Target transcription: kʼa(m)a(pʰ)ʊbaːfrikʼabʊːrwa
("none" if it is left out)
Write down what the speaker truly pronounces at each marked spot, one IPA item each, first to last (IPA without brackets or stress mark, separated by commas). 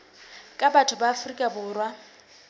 b, tʰ